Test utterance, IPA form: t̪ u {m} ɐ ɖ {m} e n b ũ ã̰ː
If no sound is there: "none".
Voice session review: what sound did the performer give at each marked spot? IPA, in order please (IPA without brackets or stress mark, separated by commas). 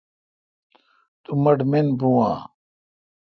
m, m